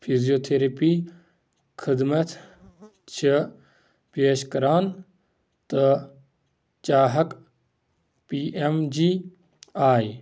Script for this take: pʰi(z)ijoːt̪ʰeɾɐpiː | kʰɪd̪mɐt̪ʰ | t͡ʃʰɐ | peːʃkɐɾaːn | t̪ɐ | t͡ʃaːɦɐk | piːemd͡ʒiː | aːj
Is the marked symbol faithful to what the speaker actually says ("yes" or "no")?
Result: yes